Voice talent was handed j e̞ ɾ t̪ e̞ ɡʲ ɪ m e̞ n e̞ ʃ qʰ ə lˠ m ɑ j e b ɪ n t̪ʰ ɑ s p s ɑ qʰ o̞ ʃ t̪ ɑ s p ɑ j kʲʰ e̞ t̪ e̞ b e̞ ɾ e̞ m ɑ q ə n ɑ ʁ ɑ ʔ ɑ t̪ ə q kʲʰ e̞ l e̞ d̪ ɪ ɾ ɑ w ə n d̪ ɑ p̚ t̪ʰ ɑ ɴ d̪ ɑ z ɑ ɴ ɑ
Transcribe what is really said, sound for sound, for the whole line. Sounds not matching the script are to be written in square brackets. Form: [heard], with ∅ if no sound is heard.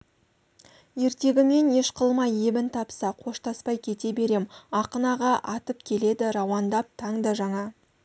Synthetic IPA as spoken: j e̞ ɾ t̪ e̞ ɡʲ ɪ m e̞ n e̞ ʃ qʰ ə lˠ m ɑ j e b ɪ n t̪ʰ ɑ [∅] p s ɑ qʰ o̞ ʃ t̪ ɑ s p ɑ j kʲʰ e̞ t̪ e̞ b e̞ ɾ e̞ m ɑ q ə n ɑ ʁ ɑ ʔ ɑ t̪ ə [p] kʲʰ e̞ l e̞ d̪ ɪ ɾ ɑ w [ɑ] n d̪ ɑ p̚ t̪ʰ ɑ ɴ d̪ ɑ [ʒ] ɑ ɴ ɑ